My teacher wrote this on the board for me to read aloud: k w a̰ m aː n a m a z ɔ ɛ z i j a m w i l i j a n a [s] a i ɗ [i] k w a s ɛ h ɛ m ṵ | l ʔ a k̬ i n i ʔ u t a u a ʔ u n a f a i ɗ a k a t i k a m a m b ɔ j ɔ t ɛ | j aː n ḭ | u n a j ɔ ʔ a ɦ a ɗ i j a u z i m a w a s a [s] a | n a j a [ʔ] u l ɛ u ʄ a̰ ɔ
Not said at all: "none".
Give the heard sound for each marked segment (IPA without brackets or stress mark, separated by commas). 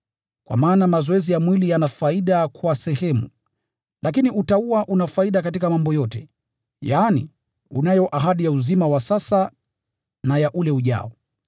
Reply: f, a, s, ʔ